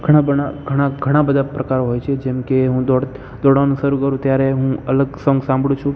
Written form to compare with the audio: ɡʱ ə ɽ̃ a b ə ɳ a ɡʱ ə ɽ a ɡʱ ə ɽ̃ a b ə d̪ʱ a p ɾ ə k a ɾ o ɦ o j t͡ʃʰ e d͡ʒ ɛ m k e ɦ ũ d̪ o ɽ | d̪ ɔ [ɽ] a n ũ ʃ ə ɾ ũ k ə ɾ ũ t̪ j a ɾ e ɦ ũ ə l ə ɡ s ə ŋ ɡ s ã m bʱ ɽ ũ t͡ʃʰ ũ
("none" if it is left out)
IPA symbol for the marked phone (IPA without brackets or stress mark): ɽ